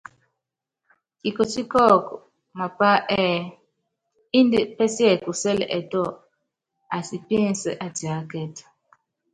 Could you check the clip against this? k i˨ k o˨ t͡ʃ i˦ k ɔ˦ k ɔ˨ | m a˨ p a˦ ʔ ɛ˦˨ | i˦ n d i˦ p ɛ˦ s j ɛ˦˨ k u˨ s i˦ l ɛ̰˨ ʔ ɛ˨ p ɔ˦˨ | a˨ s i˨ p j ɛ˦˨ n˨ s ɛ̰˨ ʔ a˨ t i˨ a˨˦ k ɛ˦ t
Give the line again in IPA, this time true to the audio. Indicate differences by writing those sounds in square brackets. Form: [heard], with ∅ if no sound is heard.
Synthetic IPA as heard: k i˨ k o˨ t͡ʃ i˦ k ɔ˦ k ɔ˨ | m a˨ p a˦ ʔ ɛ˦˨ | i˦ n d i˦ p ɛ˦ s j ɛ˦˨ k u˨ s [ɛ˦] l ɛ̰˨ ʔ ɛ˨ [t] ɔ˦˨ | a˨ s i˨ p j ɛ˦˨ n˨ s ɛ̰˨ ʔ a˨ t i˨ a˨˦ k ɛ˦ t